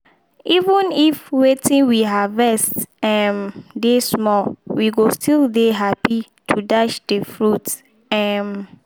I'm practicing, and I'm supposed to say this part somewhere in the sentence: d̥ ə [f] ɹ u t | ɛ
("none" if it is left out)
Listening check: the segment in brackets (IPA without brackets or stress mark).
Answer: f